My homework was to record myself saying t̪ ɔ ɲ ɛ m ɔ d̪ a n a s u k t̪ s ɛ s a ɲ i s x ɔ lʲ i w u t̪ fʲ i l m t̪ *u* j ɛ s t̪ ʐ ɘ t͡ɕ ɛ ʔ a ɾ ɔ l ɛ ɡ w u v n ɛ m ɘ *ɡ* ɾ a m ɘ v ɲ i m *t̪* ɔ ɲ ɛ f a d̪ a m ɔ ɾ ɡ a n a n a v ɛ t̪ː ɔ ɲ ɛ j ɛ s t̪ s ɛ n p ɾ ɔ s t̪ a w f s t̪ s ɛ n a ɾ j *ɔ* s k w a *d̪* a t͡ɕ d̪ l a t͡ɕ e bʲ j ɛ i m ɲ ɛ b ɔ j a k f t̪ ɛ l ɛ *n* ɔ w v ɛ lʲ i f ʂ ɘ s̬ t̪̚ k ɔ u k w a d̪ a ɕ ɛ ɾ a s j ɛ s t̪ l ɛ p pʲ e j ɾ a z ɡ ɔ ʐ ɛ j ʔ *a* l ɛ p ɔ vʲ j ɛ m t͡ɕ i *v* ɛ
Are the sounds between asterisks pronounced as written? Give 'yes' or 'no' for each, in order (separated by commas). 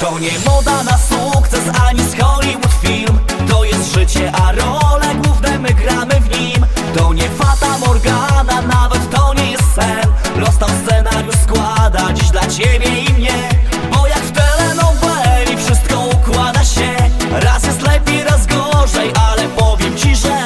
no, yes, yes, no, yes, yes, yes, no